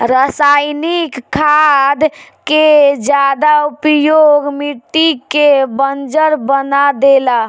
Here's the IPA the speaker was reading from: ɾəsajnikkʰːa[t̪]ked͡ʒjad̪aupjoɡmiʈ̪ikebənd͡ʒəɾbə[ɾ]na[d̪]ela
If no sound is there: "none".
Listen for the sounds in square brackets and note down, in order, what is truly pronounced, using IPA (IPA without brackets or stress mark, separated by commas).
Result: d̪, none, d̪